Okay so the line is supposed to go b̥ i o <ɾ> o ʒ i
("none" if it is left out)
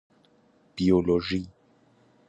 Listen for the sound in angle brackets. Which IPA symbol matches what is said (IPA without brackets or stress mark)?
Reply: l